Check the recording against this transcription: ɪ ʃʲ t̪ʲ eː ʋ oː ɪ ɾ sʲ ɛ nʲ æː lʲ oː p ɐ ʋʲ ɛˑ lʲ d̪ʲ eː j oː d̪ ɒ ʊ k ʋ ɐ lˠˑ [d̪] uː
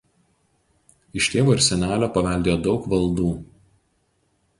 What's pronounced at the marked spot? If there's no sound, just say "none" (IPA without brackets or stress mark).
d̪